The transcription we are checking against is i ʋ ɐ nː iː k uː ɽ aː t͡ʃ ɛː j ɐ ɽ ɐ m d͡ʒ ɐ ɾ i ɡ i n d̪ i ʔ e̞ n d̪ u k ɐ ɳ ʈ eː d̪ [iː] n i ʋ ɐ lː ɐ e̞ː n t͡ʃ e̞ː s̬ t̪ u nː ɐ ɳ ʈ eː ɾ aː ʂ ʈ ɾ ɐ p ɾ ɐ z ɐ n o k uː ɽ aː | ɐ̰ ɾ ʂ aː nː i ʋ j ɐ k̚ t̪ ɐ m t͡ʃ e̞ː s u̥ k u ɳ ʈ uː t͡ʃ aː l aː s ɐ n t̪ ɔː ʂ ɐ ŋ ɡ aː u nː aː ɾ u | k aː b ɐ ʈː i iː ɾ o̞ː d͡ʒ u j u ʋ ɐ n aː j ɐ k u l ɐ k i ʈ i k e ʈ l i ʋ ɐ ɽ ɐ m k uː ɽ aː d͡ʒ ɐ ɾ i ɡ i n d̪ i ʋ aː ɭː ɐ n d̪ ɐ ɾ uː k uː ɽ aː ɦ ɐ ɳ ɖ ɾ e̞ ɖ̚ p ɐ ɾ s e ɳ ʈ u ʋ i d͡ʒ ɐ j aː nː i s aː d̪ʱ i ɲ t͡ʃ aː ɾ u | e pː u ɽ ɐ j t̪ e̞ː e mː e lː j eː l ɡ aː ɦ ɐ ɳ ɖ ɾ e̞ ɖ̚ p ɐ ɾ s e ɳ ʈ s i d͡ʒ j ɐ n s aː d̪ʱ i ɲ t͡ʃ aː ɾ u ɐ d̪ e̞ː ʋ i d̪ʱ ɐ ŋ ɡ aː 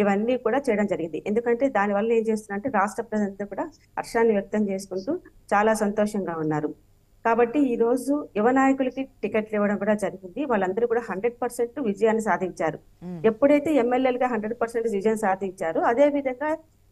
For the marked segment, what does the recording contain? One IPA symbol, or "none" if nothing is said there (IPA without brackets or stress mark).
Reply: aː